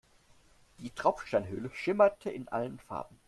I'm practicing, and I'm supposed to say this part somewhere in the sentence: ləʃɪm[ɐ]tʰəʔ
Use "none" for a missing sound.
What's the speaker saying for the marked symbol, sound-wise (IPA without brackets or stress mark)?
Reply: ɐ